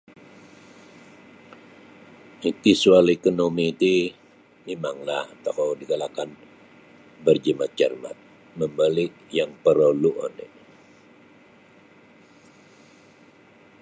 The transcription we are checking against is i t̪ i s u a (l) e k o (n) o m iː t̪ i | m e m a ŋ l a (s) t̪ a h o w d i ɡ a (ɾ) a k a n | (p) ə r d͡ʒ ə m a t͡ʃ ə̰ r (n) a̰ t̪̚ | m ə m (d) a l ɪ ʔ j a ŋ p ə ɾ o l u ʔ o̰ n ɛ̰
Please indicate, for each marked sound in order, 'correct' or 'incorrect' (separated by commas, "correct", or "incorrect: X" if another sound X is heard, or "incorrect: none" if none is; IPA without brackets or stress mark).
correct, correct, incorrect: h, incorrect: l, incorrect: b, incorrect: m, incorrect: b